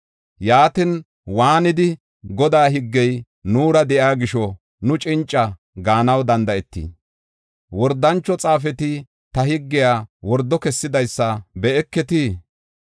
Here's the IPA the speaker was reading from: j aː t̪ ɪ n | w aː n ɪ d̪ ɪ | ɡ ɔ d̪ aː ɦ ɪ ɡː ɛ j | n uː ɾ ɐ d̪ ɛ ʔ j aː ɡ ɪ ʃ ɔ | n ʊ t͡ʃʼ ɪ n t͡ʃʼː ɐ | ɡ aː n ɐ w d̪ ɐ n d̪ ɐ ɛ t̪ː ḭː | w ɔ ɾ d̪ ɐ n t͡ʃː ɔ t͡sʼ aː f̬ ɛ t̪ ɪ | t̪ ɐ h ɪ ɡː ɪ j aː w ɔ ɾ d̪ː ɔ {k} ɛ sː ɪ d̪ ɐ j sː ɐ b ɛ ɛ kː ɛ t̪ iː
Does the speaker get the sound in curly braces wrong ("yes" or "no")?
no